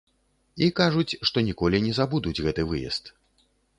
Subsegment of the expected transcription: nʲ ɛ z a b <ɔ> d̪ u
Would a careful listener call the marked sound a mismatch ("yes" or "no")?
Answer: yes